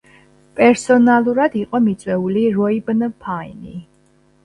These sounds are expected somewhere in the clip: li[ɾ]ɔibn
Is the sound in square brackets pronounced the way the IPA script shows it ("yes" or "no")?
yes